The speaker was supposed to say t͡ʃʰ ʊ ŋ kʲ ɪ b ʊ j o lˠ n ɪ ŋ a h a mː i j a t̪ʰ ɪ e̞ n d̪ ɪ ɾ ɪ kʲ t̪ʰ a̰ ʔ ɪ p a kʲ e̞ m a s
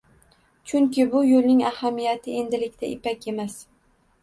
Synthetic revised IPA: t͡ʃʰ ʊ ŋ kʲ ɪ b ʊ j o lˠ n ɪ ŋ a h a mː i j a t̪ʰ ɪ e̞ n d̪ ɪ l ɪ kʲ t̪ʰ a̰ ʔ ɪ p a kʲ e̞ m a s